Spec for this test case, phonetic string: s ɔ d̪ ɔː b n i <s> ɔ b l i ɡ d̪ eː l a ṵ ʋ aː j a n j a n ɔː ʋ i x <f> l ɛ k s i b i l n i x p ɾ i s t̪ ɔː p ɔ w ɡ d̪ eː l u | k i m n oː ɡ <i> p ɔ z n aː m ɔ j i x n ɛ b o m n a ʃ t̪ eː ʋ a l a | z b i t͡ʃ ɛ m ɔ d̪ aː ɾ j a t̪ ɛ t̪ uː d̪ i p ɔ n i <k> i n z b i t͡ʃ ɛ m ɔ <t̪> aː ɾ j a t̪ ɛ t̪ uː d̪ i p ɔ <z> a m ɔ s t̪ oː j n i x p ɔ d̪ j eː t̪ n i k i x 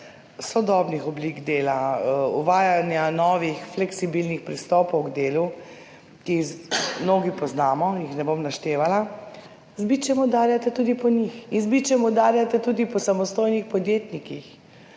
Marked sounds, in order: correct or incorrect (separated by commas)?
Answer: incorrect, correct, correct, incorrect, incorrect, incorrect